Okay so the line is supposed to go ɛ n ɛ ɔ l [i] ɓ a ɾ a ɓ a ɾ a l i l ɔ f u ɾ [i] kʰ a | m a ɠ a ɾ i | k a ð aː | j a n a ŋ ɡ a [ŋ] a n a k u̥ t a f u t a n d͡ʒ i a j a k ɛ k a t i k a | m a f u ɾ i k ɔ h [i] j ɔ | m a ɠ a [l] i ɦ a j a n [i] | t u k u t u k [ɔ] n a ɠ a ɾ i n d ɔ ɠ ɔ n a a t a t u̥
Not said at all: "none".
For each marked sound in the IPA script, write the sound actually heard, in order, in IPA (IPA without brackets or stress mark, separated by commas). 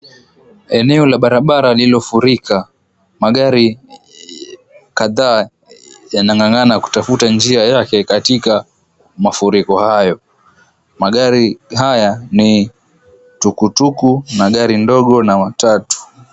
a, i, ŋ, a, ɾ, i, u